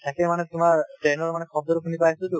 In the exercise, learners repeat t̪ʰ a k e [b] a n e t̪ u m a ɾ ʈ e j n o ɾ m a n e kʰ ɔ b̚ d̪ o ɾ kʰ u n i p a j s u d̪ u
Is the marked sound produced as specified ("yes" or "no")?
no